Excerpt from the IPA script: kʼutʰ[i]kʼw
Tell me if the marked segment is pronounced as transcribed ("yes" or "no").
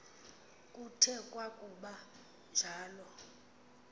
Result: no